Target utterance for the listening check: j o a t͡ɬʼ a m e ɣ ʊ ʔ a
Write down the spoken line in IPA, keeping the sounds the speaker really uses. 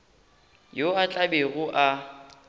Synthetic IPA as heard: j o a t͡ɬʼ a b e ɣ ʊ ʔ a